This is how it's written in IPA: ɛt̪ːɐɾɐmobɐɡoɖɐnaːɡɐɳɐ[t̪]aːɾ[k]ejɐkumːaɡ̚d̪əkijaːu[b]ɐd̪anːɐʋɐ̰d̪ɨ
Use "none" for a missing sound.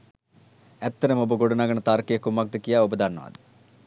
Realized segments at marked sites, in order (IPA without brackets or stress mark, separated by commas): t̪, k, b